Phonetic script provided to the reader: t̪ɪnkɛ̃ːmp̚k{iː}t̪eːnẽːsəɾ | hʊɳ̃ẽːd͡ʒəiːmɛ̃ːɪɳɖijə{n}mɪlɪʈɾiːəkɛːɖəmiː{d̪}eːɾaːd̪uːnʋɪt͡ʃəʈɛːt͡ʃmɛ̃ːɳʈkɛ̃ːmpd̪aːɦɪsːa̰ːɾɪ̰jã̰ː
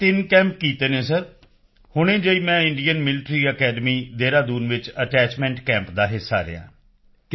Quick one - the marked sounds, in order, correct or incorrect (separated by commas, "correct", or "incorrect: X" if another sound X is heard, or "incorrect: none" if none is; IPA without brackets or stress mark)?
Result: correct, correct, correct